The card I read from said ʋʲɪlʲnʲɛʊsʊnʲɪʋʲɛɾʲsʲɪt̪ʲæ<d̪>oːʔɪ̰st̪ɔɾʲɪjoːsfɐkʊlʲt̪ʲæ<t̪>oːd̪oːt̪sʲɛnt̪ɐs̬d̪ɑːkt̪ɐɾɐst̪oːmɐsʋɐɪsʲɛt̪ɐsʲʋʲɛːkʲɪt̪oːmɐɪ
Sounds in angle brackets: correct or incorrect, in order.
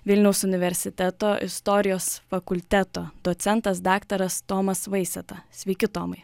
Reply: incorrect: t̪, correct

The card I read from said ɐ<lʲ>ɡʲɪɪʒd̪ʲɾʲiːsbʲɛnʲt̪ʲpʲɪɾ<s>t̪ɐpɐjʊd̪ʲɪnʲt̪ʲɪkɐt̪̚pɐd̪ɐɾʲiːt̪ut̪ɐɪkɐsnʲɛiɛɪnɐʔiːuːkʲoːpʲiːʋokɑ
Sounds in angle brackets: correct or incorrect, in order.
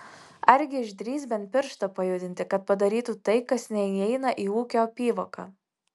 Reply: incorrect: ɾʲ, incorrect: ʃ

